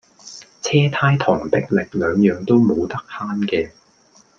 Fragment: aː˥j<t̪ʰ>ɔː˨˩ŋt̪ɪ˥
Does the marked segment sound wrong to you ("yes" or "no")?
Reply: no